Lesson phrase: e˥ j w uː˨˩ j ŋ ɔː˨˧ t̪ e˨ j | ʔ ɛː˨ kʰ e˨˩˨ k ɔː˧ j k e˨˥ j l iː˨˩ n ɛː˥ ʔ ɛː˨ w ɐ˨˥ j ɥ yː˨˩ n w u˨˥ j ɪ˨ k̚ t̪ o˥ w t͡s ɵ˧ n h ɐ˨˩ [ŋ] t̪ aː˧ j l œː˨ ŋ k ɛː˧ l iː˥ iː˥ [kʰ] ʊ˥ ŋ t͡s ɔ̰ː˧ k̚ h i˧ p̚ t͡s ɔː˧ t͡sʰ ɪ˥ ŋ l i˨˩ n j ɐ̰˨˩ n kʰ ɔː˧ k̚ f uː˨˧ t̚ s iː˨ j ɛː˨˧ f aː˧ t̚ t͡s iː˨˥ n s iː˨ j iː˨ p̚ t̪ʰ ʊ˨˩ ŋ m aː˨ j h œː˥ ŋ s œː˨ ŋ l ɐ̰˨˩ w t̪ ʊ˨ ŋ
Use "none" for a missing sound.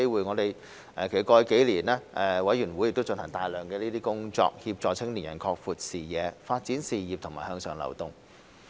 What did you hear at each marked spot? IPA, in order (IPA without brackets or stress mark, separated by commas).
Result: ŋ, k